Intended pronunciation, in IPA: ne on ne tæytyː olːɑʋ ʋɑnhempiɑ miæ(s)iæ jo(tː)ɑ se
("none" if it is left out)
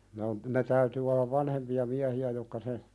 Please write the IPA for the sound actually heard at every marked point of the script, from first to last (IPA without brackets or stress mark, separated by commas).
h, kː